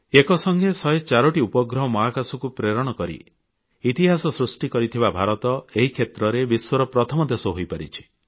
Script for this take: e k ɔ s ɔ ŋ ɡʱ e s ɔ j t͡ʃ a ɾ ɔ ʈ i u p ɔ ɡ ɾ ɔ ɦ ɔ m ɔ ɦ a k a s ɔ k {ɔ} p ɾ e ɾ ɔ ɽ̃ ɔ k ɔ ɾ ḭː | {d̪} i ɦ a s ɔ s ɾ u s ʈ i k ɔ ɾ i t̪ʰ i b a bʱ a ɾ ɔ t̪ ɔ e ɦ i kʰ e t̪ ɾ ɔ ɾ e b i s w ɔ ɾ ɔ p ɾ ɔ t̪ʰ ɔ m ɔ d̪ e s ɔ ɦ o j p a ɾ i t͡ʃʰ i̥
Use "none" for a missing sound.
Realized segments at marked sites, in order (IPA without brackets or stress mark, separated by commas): u, t̪